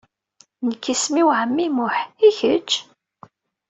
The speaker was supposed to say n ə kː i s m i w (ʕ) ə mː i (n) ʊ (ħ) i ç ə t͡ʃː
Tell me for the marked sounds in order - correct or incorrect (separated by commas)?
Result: correct, incorrect, correct